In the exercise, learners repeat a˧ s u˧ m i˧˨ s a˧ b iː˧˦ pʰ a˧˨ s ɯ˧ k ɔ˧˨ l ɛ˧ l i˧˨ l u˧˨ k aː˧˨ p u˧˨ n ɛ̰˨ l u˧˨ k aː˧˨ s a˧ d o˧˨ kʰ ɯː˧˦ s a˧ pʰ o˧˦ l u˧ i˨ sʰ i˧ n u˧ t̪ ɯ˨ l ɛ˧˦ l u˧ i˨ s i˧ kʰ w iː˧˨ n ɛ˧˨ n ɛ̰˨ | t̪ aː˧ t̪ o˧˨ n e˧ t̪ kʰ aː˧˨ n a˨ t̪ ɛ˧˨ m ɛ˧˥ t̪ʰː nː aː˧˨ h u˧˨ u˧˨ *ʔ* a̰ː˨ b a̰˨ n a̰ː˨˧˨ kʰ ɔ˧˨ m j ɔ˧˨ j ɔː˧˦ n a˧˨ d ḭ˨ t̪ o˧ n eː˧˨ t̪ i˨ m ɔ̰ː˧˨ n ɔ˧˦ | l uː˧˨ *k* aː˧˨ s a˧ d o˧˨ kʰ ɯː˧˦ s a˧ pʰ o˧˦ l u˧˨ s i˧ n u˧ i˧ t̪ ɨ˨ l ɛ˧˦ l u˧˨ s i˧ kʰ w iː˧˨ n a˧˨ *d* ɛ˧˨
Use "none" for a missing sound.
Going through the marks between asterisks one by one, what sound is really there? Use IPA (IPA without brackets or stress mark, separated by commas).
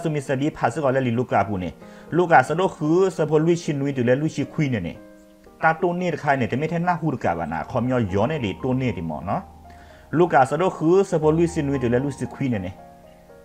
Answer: k, k, n